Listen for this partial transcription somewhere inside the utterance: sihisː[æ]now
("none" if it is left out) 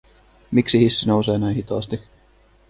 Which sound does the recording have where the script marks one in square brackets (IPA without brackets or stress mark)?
i